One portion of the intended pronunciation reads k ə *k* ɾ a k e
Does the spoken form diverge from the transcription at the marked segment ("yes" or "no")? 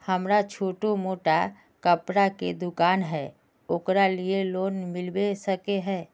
yes